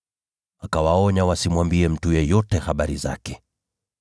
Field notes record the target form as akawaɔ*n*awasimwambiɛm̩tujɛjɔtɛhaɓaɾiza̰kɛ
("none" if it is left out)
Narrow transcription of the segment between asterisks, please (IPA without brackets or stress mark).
ɲ